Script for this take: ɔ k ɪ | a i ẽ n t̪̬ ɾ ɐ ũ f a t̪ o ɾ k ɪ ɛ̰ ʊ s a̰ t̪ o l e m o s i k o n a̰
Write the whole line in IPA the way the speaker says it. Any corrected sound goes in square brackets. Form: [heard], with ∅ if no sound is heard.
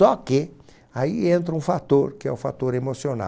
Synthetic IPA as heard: ɔ k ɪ | a i ẽ n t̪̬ ɾ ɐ ũ f a t̪ o ɾ k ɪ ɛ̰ ʊ [f] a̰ t̪ o [ɾ] e m o s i [∅] o n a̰

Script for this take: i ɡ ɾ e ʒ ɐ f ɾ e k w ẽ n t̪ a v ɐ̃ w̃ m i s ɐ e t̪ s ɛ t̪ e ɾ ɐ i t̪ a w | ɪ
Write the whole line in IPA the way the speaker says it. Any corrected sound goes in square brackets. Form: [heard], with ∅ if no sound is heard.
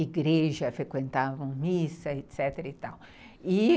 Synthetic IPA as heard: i ɡ ɾ e ʒ ɐ f ɾ e k w ẽ n t̪ a v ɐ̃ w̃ m i s ɐ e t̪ s ɛ t̪ e ɾ ɐ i t̪ a w | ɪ

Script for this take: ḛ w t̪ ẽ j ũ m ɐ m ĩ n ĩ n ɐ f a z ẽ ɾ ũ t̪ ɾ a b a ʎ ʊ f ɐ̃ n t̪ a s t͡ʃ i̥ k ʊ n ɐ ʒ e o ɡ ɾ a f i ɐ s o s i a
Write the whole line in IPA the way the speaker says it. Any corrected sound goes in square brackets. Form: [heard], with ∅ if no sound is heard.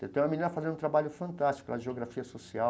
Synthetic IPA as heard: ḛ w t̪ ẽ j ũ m ɐ m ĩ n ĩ n ɐ f a z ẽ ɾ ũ t̪ ɾ a b a ʎ ʊ f ɐ̃ n t̪ a s t͡ʃ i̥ k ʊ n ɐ ʒ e o ɡ ɾ a f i ɐ s o s i a

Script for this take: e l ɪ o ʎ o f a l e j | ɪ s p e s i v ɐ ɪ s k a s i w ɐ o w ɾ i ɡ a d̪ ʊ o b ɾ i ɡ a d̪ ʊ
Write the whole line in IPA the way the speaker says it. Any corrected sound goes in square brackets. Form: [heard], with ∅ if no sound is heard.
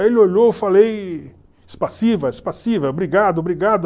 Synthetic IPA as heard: e l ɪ o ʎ o f a l e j | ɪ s p [a] s i v ɐ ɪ s [p] a s i [v] ɐ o [b] ɾ i ɡ a d̪ ʊ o b ɾ i ɡ a d̪ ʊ

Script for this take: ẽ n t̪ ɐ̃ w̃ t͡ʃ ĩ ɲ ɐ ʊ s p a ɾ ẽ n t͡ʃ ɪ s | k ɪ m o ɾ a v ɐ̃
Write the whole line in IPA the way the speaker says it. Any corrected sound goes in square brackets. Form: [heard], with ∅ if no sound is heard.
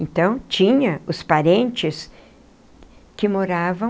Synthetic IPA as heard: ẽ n t̪ ɐ̃ w̃ t͡ʃ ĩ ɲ ɐ ʊ s p a ɾ ẽ n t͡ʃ ɪ s | k ɪ m o ɾ a v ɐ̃

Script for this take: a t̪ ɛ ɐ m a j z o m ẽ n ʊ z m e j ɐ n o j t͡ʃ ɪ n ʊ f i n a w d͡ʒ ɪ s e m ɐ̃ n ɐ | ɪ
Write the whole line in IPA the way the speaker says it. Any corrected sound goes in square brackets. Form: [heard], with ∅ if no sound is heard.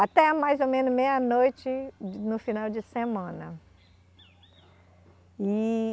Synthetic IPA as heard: a t̪ ɛ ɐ m a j z o m ẽ n ʊ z m e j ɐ n o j t͡ʃ ɪ n ʊ f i n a w d͡ʒ ɪ s e m ɐ̃ n ɐ | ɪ

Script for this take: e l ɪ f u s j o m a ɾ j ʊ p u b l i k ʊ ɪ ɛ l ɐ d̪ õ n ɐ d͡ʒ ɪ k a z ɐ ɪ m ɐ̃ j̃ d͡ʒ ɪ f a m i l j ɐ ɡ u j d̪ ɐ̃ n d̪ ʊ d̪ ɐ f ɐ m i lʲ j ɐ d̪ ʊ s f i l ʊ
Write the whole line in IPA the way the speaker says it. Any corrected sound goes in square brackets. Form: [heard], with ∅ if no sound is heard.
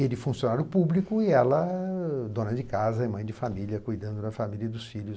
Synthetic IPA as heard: e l ɪ f [ũ] s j o [n] a ɾ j ʊ p u b l i k ʊ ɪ ɛ l ɐ d̪ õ n ɐ d͡ʒ ɪ k a z ɐ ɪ m ɐ̃ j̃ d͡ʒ ɪ f a m i l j ɐ [k] u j d̪ ɐ̃ n d̪ ʊ d̪ ɐ f [a] m i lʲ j ɐ d̪ ʊ s f i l ʊ

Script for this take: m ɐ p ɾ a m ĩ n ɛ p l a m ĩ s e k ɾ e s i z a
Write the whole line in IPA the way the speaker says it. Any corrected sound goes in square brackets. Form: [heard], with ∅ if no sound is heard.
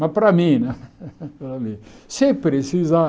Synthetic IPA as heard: m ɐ p ɾ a m ĩ n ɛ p [ɾ] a m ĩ s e [p] ɾ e s i z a

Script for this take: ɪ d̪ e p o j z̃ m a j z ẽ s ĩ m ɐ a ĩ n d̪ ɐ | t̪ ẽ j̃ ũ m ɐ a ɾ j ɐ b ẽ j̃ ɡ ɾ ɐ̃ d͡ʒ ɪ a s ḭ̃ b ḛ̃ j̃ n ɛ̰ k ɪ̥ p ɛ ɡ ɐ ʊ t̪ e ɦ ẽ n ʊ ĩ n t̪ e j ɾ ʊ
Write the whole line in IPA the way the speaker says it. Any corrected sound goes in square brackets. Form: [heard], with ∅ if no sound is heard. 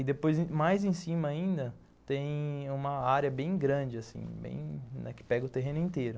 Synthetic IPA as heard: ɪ d̪ e p o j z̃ m a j z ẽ s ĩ m ɐ a ĩ n d̪ ɐ | t̪ ẽ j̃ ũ m ɐ a ɾ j ɐ b ẽ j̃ ɡ ɾ ɐ̃ d͡ʒ ɪ a s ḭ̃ b ḛ̃ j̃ n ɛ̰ k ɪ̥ p ɛ ɡ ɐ ʊ t̪ e ɦ ẽ n ʊ ĩ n t̪ e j ɾ ʊ

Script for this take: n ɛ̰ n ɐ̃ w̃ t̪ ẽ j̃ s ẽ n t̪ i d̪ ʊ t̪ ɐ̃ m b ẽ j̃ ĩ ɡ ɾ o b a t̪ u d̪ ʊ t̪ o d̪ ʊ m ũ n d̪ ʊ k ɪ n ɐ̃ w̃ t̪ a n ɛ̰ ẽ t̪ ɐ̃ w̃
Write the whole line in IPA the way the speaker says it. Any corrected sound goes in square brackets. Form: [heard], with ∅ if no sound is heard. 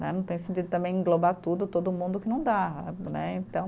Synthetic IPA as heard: n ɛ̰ n ɐ̃ w̃ t̪ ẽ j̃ s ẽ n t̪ i d̪ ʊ t̪ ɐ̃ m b ẽ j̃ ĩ ɡ [l] o b a t̪ u d̪ ʊ t̪ o d̪ ʊ m ũ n d̪ ʊ k ɪ n ɐ̃ w̃ [d̪] a n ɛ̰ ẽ t̪ ɐ̃ w̃

